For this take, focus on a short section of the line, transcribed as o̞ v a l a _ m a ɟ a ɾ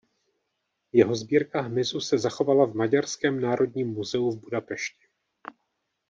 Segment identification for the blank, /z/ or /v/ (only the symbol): v